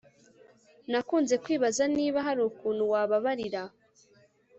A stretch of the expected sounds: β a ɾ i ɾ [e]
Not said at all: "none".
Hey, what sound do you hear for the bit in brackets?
a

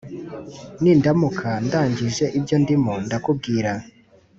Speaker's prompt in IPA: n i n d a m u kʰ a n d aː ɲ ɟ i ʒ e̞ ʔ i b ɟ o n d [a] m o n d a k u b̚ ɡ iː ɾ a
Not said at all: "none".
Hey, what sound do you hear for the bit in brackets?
i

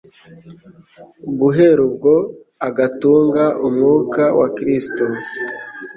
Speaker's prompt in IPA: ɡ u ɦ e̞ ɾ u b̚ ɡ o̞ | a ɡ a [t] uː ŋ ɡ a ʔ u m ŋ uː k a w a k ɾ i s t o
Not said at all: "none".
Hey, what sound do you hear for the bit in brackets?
t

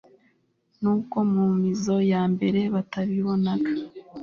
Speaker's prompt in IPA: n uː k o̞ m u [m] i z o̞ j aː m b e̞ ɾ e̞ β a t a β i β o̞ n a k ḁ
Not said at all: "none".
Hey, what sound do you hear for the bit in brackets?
m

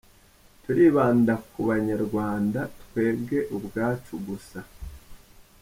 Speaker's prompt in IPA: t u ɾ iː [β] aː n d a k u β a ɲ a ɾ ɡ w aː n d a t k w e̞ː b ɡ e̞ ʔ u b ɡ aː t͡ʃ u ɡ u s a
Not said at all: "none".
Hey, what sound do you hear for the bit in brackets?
β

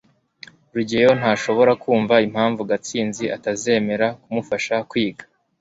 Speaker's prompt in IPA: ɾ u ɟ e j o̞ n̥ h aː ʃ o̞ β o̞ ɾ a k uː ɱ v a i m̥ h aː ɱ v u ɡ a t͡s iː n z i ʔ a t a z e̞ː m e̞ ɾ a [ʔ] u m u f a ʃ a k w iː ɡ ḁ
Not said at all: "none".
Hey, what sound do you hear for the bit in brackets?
k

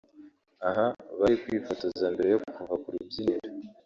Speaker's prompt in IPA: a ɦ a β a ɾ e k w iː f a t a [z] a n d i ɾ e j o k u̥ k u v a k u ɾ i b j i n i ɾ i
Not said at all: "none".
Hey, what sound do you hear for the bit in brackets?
z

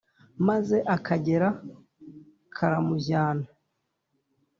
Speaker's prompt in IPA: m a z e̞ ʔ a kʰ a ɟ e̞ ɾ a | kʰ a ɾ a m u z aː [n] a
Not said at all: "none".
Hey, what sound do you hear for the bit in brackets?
n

